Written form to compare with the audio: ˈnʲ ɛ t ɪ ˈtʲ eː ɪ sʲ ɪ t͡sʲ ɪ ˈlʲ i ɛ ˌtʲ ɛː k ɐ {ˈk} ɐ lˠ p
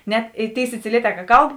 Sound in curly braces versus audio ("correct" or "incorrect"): correct